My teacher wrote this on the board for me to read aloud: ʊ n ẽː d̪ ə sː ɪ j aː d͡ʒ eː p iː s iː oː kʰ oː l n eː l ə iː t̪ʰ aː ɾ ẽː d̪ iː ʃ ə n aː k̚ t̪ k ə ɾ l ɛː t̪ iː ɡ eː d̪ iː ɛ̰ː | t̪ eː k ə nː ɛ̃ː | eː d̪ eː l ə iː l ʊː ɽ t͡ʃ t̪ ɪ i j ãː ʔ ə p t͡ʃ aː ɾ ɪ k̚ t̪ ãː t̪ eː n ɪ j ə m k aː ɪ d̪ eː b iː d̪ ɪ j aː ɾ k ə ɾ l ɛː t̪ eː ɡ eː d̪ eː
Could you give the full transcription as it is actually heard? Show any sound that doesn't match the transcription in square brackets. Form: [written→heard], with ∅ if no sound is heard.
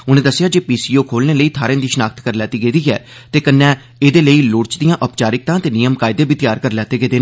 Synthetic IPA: ʊ n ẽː d̪ ə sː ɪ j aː d͡ʒ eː p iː s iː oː kʰ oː l n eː l ə iː t̪ʰ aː ɾ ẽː d̪ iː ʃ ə n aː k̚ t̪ k ə ɾ l ɛː t̪ iː ɡ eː d̪ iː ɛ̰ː | t̪ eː k ə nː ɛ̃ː | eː d̪ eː l ə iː l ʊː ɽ t͡ʃ [t̪→d̪] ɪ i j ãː ʔ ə p t͡ʃ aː ɾ ɪ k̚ t̪ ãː t̪ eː n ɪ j ə m k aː ɪ d̪ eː b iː [d̪→t̪] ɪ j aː ɾ k ə ɾ l ɛː t̪ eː ɡ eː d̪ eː